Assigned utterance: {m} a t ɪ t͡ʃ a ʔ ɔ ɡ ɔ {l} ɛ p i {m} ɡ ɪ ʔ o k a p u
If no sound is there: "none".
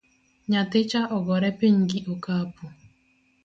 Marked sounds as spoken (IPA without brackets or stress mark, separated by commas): ɲ, ɾ, ɲ